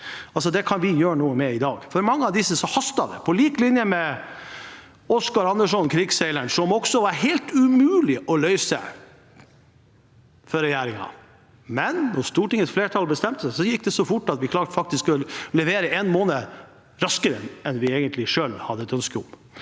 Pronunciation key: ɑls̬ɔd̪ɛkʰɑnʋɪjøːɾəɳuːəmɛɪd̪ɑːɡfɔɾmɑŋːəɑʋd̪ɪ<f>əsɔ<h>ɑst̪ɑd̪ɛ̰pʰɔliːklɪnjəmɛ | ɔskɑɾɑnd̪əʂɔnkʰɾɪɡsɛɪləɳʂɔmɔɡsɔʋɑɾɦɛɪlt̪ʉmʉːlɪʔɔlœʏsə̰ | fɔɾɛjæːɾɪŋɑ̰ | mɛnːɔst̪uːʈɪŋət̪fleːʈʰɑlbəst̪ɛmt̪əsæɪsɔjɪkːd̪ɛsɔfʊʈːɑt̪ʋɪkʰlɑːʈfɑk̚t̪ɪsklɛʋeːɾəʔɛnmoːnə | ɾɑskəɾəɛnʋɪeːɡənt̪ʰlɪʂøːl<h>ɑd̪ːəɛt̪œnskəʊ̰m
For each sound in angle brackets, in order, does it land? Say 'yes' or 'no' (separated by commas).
no, yes, yes